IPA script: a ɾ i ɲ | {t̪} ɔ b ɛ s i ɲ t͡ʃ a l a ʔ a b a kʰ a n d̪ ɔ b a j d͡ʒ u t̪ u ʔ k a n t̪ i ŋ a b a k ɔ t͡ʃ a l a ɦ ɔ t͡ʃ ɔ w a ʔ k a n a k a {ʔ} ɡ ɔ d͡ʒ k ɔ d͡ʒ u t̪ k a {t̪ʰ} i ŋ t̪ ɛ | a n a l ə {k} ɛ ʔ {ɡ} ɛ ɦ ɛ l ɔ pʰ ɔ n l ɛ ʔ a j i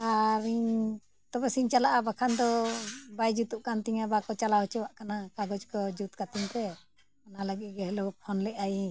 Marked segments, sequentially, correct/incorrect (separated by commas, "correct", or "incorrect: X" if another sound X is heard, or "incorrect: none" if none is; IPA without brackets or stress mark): correct, incorrect: none, incorrect: t̪, incorrect: ɡ, correct